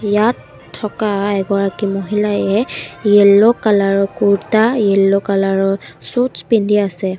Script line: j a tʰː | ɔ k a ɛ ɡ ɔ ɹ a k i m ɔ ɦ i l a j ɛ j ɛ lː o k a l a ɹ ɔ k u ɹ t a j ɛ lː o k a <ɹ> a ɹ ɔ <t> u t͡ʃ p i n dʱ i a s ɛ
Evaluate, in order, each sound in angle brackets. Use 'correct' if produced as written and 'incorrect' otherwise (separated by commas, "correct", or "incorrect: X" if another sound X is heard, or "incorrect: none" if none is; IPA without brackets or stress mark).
incorrect: l, incorrect: s